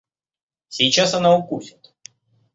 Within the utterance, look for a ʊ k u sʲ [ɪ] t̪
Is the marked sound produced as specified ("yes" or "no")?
yes